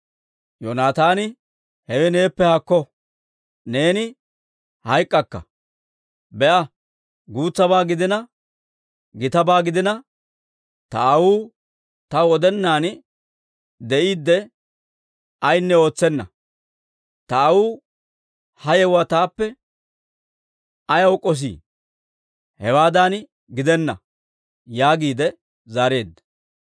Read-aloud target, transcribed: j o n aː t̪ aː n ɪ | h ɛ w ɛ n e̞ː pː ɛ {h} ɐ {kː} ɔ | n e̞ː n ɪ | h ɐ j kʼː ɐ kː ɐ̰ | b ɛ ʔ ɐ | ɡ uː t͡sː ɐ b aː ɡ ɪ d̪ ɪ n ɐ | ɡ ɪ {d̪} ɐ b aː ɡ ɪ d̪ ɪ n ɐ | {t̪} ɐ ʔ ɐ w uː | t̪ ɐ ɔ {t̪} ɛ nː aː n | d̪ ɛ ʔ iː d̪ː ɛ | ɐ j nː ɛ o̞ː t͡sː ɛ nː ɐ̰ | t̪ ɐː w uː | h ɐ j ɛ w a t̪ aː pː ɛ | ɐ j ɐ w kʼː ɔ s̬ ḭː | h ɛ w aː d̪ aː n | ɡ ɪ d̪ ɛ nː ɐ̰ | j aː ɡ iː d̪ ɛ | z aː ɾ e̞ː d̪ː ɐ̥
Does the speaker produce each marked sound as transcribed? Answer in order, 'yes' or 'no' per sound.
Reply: yes, yes, no, yes, no

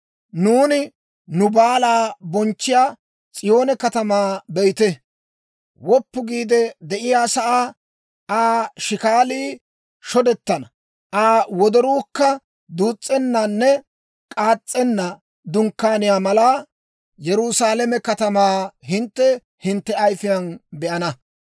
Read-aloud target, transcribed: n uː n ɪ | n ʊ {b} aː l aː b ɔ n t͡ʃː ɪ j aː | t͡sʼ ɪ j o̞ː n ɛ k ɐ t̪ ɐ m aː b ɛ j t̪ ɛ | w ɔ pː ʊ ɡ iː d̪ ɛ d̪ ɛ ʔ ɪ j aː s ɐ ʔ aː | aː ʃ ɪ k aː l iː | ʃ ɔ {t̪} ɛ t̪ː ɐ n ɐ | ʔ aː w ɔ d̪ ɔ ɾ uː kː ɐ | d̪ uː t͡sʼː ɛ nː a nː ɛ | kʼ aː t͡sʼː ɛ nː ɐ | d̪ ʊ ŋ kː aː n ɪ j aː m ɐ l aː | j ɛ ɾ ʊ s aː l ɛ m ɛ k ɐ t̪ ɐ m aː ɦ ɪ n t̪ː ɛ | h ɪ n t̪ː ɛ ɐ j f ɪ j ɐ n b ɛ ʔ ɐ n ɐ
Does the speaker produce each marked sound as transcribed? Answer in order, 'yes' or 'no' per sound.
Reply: yes, no

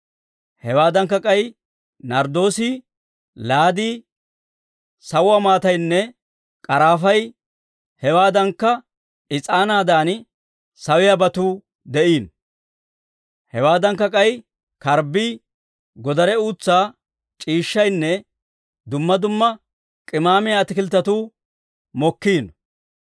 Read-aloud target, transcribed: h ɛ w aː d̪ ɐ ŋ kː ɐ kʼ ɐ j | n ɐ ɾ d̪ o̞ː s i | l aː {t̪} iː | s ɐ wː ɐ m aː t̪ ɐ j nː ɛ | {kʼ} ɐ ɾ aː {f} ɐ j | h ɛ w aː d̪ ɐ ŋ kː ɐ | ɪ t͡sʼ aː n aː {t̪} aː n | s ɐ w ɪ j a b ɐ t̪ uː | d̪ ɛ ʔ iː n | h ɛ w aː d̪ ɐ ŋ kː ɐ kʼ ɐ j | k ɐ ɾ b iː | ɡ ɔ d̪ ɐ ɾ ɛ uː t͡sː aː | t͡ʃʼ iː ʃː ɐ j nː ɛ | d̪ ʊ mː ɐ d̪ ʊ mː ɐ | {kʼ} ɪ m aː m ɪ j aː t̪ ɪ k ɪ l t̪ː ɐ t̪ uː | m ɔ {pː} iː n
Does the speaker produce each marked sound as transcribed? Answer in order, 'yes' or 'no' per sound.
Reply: no, yes, yes, no, yes, no

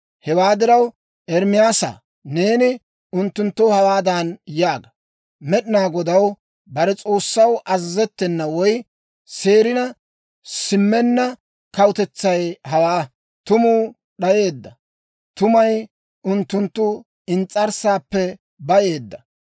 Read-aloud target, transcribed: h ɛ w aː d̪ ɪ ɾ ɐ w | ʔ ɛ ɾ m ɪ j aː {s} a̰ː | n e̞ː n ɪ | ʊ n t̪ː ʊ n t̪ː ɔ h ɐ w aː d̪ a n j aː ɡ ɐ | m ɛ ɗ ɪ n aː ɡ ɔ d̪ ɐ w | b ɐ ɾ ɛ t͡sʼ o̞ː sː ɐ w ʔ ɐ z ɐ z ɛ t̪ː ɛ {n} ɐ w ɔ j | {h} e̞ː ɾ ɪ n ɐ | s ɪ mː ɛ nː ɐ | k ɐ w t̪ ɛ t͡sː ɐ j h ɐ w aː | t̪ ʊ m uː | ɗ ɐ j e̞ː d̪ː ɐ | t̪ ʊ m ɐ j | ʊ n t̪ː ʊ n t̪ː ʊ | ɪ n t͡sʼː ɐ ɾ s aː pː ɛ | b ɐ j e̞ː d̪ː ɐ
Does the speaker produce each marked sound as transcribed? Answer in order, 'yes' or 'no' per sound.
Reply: yes, no, no

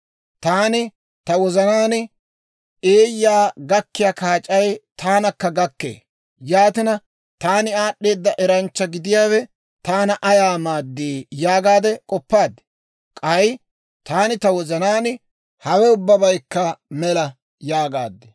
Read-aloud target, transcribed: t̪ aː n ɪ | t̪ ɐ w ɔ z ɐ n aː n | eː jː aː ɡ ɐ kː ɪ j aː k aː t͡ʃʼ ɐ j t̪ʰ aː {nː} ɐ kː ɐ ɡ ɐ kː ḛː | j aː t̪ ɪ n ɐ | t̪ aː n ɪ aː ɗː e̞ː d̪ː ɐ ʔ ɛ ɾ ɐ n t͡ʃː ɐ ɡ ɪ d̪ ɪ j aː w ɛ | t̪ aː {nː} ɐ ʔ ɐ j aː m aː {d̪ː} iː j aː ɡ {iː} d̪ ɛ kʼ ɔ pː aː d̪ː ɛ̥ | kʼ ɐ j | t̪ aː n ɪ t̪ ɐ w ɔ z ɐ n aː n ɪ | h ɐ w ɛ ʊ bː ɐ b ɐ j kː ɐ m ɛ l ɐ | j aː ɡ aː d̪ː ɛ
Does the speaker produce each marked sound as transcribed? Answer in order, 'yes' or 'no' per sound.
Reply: no, no, yes, no

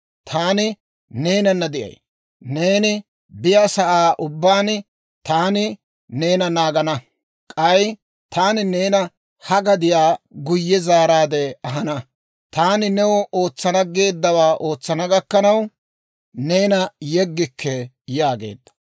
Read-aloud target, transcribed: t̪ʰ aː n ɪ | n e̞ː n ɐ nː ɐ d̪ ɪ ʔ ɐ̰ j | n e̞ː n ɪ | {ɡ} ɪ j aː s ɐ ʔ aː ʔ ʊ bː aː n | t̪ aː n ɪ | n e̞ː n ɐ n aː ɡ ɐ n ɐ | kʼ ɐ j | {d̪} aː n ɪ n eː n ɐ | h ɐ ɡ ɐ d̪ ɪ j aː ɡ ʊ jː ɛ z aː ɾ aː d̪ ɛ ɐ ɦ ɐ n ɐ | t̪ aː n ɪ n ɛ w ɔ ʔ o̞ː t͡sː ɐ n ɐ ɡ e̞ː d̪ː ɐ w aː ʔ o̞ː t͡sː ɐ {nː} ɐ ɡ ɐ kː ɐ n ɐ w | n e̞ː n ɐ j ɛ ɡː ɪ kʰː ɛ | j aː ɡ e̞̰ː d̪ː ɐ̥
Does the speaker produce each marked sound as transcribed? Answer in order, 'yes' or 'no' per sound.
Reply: no, no, no

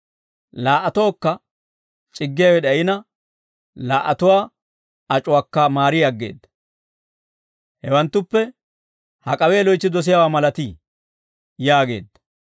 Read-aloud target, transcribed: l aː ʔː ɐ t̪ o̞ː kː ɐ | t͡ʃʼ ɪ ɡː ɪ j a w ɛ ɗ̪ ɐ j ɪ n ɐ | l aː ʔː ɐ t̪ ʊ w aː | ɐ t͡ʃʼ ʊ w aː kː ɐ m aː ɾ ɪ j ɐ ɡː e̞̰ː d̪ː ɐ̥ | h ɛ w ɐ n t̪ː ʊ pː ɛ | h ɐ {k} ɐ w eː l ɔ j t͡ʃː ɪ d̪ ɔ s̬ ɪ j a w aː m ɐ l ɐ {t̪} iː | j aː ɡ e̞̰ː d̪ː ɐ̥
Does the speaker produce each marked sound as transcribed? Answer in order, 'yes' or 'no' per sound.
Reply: no, yes

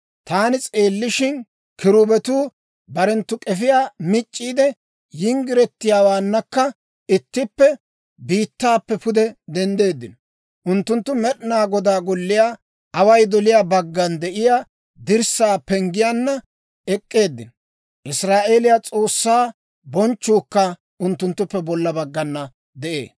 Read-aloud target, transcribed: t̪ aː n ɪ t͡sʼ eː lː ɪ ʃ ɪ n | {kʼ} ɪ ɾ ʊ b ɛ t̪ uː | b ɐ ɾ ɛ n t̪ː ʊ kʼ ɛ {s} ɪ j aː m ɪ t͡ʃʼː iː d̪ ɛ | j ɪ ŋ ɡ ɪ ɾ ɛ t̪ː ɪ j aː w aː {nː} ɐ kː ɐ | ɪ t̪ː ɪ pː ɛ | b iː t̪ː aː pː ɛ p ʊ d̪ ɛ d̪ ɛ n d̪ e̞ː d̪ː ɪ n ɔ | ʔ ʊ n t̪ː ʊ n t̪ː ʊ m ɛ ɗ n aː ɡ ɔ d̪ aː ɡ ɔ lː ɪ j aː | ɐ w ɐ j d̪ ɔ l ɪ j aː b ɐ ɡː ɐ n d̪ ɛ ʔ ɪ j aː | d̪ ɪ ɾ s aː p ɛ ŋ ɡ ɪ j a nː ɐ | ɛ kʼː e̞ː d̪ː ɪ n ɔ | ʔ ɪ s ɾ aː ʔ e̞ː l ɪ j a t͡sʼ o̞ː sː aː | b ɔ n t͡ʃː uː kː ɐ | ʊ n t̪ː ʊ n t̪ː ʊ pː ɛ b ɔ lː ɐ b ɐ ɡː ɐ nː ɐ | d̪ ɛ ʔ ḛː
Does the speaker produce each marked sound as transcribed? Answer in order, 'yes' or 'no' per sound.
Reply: no, no, yes

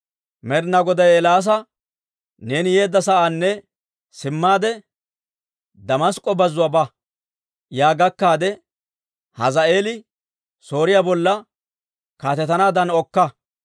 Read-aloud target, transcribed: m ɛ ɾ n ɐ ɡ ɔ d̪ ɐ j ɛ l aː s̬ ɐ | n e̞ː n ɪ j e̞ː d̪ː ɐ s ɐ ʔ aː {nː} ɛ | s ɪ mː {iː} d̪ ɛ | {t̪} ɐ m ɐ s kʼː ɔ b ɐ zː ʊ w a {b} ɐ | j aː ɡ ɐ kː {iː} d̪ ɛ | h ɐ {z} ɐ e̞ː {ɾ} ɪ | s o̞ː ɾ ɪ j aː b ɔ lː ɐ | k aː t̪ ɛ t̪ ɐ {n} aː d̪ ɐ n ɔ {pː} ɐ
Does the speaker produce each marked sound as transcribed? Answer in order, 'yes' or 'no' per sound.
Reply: yes, no, no, yes, no, yes, no, yes, no

